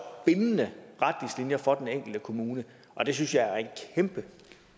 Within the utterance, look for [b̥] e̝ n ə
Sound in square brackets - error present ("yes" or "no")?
no